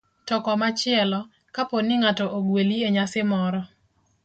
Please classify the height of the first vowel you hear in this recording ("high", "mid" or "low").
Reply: mid